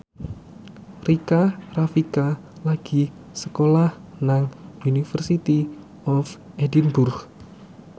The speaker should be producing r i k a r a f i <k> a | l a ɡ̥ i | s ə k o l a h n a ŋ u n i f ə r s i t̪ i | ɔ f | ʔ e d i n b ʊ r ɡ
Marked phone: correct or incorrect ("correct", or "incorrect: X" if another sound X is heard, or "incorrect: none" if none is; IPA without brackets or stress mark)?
correct